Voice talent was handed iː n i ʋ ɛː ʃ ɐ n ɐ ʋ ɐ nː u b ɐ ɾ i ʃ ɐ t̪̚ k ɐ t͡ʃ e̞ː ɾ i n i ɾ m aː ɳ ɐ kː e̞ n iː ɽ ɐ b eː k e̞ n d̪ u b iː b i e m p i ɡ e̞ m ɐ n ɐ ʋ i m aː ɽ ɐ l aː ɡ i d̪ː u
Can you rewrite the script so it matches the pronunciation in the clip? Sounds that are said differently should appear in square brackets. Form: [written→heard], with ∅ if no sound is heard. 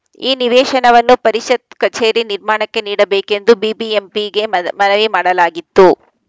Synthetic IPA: iː n i ʋ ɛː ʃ ɐ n ɐ ʋ ɐ nː u [b→p] ɐ ɾ i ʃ ɐ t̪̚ k ɐ t͡ʃ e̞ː ɾ i n i ɾ m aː ɳ ɐ kː e̞ n iː ɽ ɐ b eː k e̞ n d̪ u b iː b i e m p i ɡ e̞ m ɐ n ɐ ʋ i m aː ɽ ɐ l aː ɡ i [d̪ː→t̪ː] u